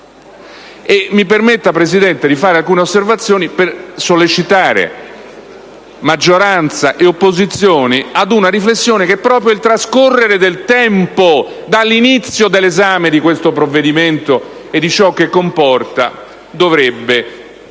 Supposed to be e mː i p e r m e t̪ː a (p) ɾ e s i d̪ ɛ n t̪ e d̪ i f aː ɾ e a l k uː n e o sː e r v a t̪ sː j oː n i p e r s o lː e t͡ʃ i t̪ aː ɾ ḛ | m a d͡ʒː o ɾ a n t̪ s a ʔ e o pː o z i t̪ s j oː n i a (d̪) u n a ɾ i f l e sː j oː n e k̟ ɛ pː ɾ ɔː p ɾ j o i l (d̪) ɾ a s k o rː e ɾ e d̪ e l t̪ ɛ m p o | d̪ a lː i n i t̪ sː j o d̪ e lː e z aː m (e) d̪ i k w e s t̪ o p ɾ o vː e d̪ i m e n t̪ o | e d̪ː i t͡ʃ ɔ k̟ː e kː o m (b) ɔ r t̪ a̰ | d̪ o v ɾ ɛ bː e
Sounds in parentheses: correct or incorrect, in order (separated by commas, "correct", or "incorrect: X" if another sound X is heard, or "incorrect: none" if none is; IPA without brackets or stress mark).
correct, correct, incorrect: t̪, correct, incorrect: p